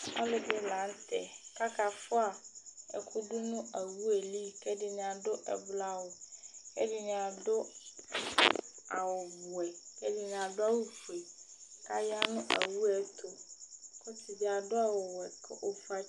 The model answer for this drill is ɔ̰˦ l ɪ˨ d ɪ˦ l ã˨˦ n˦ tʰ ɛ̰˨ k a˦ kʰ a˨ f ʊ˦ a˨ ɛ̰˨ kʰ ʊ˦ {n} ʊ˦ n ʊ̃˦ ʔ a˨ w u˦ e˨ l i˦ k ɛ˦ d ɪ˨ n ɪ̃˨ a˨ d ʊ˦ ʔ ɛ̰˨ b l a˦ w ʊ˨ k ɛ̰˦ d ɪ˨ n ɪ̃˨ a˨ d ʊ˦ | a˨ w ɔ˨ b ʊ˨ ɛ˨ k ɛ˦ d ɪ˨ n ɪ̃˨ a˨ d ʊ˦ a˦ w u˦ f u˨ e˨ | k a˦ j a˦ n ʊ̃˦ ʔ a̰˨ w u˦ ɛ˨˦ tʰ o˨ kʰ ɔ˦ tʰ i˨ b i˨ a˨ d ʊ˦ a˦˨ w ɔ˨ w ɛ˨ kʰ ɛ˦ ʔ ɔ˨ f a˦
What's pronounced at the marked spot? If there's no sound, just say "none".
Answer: d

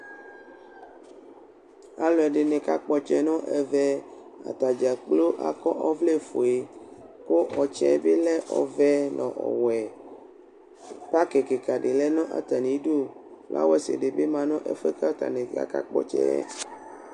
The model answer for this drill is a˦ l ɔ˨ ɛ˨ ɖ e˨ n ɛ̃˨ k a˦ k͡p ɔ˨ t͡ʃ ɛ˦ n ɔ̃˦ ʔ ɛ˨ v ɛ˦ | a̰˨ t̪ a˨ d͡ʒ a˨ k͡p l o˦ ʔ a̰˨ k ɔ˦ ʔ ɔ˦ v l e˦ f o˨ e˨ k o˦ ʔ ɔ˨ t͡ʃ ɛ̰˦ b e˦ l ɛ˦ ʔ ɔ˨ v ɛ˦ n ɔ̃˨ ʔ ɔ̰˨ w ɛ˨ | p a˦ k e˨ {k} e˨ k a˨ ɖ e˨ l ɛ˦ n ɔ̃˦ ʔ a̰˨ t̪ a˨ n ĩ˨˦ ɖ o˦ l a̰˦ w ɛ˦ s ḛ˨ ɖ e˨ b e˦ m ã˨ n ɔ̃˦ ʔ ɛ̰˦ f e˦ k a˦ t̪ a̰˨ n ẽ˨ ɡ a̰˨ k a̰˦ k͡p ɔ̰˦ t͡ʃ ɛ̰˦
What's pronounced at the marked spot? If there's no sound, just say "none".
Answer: k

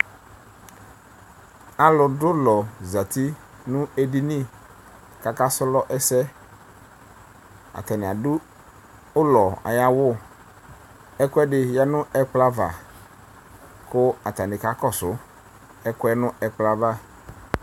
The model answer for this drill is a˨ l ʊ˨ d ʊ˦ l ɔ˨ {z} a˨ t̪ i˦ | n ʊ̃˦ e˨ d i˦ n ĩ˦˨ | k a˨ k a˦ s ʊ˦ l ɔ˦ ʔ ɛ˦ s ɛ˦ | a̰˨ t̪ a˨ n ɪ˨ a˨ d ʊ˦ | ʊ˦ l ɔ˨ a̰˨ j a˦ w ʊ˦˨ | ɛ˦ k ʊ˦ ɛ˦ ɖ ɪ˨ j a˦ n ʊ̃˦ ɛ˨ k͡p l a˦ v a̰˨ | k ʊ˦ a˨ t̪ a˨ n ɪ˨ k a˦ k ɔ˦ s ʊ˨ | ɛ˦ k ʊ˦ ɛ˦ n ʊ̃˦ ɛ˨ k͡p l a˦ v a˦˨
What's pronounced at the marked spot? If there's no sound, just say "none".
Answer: z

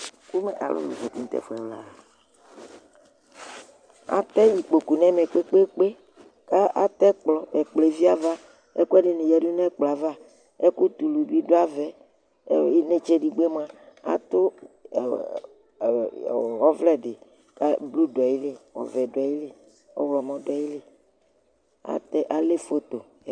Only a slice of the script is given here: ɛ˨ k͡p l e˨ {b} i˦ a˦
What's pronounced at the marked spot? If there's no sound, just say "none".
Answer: v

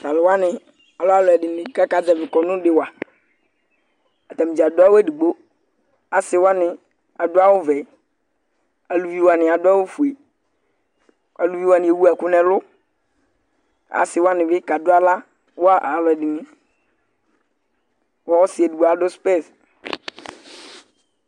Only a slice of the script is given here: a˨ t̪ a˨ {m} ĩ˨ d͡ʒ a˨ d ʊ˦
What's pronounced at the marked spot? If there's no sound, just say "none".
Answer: m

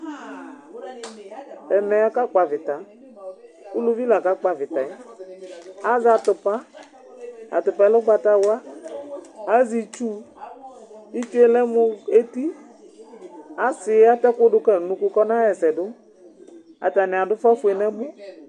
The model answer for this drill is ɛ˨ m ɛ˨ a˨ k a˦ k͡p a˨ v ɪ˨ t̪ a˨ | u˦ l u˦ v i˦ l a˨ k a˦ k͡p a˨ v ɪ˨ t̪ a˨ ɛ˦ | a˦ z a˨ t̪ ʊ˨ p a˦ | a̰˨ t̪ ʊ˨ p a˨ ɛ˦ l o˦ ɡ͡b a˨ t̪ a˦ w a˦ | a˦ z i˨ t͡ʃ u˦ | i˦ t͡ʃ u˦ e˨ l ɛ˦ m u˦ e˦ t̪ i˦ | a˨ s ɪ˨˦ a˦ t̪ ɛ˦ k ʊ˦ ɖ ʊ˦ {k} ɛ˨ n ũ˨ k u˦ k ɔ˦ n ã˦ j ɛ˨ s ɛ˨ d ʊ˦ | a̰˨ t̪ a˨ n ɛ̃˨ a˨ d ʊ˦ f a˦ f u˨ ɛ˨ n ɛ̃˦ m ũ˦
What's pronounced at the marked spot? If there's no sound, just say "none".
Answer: k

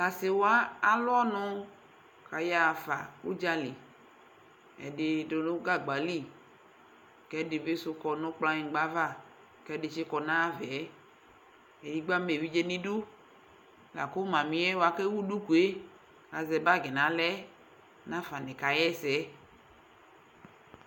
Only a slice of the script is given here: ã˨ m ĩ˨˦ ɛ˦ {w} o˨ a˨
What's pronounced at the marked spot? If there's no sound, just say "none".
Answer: w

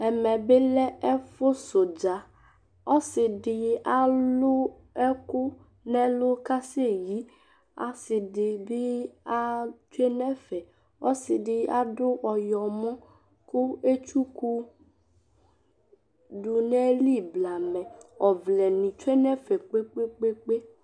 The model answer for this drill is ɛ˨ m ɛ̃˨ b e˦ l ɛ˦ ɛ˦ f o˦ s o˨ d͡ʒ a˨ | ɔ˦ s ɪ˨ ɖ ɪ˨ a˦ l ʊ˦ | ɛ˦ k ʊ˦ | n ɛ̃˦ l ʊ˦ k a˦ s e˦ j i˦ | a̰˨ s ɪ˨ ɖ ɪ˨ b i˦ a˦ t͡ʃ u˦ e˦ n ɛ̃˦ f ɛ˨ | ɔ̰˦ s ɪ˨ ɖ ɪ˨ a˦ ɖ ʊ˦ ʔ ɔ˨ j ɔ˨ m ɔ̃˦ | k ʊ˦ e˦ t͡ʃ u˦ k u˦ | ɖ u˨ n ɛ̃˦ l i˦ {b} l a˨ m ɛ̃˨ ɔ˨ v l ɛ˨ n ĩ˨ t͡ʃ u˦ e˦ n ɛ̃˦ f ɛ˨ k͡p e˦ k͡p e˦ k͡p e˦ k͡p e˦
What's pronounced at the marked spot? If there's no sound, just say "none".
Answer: b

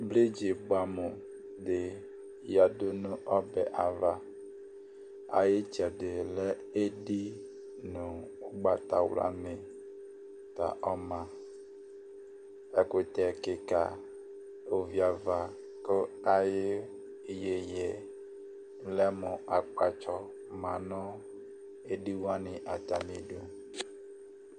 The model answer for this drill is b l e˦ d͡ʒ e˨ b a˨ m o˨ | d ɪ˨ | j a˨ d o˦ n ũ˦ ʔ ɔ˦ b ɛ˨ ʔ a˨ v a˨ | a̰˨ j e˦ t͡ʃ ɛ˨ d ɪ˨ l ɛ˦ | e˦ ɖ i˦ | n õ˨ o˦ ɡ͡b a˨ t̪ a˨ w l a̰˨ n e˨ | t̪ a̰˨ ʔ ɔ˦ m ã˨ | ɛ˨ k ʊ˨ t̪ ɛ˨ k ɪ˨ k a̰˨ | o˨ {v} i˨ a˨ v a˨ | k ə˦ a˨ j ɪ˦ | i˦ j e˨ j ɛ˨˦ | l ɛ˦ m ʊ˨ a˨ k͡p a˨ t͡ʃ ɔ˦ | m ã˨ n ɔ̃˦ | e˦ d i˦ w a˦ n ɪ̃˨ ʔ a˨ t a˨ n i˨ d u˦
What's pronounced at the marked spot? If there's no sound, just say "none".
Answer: v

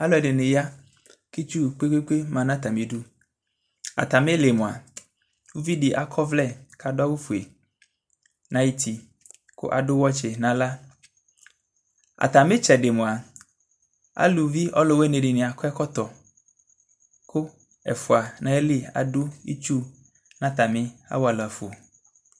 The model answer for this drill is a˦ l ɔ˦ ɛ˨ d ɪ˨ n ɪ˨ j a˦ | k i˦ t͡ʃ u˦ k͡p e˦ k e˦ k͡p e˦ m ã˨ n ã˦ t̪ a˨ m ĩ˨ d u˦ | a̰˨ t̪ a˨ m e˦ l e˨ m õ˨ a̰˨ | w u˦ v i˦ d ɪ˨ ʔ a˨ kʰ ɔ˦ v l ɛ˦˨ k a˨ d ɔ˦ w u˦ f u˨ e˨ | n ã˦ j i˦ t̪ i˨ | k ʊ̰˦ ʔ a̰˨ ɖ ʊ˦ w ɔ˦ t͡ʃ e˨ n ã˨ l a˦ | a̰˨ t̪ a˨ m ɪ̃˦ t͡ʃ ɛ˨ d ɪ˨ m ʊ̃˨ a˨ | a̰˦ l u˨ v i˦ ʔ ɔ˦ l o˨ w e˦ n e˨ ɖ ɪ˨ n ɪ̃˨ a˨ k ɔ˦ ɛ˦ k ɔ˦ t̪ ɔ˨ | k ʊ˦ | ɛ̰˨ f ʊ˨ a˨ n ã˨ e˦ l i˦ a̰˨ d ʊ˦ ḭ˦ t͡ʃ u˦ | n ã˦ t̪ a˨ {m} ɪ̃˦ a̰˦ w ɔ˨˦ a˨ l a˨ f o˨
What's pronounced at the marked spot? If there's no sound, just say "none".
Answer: m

